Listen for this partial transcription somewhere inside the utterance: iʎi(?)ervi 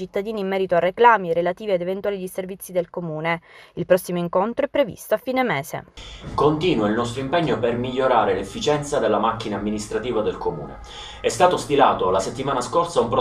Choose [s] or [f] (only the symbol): s